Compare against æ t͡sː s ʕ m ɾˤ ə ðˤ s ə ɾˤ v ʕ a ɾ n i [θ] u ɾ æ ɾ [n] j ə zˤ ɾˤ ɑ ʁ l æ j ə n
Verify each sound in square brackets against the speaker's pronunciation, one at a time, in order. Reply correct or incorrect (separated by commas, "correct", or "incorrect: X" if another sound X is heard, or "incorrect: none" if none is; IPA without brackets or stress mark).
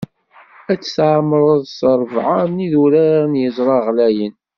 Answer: incorrect: ð, correct